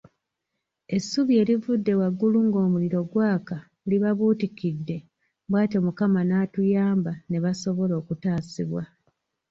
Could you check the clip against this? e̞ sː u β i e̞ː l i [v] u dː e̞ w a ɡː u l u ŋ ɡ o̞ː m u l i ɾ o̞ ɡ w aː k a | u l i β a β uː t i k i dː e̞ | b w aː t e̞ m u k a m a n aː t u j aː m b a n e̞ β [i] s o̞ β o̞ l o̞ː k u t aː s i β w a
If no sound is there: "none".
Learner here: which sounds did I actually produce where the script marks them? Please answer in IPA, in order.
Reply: v, a

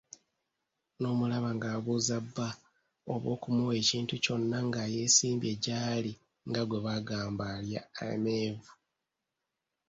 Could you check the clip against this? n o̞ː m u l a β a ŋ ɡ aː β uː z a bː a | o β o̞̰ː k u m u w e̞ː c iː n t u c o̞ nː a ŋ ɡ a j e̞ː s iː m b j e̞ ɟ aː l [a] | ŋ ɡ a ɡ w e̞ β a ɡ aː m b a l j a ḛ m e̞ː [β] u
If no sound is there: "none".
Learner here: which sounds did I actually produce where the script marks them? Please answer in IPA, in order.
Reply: i, v

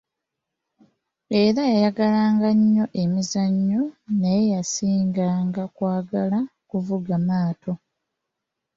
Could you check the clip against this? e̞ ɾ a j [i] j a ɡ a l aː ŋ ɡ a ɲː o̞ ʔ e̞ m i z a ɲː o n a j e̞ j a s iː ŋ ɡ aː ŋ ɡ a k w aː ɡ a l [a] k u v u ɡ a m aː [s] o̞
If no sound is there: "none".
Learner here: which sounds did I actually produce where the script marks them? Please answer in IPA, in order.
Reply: a, a, t

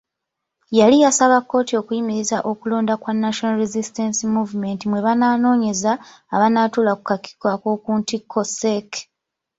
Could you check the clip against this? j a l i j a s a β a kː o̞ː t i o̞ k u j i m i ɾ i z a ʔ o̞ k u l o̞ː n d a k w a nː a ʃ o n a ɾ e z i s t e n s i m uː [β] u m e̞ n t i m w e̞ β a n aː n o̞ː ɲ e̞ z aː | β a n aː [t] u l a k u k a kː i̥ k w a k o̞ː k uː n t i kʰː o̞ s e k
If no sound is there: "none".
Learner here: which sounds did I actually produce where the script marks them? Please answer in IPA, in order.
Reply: v, t

